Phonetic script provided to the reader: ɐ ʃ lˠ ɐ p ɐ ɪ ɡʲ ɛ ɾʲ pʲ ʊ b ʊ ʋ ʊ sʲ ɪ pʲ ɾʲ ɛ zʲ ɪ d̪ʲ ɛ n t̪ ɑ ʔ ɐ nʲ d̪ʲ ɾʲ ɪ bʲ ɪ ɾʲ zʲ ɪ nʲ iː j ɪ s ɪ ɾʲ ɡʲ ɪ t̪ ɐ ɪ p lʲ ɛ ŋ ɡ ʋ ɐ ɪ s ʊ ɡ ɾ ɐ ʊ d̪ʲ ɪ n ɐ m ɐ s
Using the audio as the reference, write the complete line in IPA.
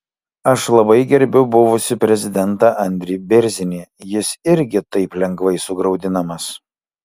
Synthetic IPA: ɐ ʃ lˠ ɐ b ɐ ɪ ɡʲ ɛ ɾʲ bʲ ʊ b ʊ ʋ ʊ sʲ ɪ pʲ ɾʲ ɛ zʲ ɪ d̪ʲ ɛ n t̪ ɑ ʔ ɐ nʲ d̪ʲ ɾʲ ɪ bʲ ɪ ɾʲ zʲ ɪ nʲ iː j ɪ s ɪ ɾʲ ɡʲ ɪ t̪ ɐ ɪ p lʲ ɛ ŋ ɡ ʋ ɐ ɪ s ʊ ɡ ɾ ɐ ʊ d̪ʲ ɪ n ɐ m ɐ s